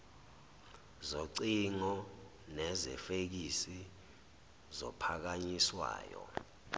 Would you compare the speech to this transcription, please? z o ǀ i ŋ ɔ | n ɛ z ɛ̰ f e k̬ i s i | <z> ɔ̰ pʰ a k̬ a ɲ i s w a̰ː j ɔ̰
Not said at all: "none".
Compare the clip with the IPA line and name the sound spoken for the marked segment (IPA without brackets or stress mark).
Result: z